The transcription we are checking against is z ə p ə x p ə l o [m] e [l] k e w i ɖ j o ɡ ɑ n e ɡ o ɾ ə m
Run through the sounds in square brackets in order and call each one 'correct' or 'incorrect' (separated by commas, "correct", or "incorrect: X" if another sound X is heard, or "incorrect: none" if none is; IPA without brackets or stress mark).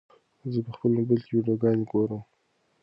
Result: incorrect: b, correct